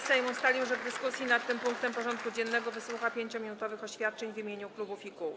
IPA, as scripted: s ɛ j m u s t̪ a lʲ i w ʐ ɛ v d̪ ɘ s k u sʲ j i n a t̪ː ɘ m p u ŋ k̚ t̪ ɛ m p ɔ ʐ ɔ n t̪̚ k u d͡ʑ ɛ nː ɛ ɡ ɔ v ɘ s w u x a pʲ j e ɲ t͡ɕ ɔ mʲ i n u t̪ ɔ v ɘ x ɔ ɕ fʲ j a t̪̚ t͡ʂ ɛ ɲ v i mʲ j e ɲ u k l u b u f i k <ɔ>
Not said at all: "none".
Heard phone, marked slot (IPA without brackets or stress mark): u